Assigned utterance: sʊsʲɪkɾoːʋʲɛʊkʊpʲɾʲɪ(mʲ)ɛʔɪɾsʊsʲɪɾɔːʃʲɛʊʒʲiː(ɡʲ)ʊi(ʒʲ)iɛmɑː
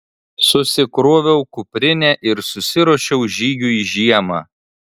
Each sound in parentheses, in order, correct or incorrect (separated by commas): incorrect, correct, correct